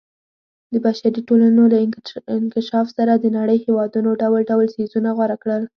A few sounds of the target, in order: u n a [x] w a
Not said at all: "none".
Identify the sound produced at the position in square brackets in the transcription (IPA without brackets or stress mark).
ɣ